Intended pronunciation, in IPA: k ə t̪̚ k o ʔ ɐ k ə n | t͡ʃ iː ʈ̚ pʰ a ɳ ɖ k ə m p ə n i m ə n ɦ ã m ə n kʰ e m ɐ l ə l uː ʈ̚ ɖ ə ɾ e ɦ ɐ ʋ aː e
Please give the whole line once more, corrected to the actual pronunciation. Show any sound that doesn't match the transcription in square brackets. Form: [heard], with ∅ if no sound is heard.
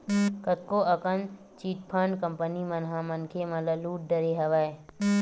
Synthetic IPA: k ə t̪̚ k o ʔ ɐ k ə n | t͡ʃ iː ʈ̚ pʰ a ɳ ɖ k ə m p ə n i m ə n ɦ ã m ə n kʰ e m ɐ l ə l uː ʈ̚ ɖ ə ɾ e ɦ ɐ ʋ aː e